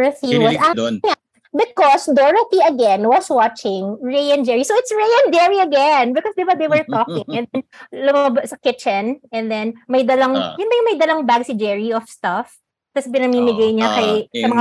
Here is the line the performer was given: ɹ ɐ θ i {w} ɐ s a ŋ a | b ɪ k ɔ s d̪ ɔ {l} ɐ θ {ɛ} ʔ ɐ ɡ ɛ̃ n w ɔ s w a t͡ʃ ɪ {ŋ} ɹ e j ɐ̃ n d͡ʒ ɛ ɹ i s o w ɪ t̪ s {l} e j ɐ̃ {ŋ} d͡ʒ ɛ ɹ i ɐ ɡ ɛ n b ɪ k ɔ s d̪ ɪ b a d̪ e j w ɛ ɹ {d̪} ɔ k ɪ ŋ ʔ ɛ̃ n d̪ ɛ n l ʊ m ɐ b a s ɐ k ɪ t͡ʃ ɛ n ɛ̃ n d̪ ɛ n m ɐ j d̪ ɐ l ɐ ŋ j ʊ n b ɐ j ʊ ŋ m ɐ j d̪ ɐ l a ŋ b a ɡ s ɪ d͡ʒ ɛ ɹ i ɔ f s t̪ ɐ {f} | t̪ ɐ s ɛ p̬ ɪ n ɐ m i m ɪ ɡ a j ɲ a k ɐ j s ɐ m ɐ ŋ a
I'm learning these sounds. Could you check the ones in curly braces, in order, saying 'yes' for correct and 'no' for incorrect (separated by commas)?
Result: yes, no, no, yes, no, no, no, yes